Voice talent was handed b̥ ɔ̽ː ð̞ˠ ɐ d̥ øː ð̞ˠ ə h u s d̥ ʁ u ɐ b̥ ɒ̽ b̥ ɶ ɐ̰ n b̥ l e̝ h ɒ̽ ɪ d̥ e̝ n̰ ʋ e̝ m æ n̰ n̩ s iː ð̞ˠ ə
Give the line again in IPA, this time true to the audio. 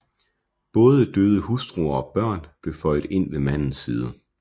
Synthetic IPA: b̥ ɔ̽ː ð̞ˠ ə d̥ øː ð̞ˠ ə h u s d̥ ʁ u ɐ ɒ̽ b̥ ɶ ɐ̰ n b̥ l e̝ f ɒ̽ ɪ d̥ e̝ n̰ ʋ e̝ m æ n̰ n̩ s iː ð̞ˠ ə